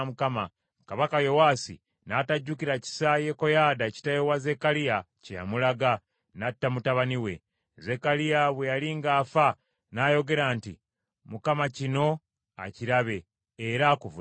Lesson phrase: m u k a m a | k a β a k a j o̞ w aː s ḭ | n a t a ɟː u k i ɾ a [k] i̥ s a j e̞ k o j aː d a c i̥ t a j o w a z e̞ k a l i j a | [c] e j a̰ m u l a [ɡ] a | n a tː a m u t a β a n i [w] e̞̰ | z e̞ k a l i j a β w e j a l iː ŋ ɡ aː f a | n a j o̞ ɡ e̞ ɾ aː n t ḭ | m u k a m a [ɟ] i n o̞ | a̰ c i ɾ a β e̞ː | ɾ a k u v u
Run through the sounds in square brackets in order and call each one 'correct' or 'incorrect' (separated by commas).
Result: incorrect, correct, correct, correct, incorrect